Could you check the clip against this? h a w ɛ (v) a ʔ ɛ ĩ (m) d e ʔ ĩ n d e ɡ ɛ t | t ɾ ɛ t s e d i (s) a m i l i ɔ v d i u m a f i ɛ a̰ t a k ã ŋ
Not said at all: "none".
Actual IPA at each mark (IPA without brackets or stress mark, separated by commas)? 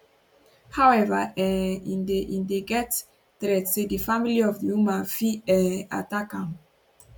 v, n, f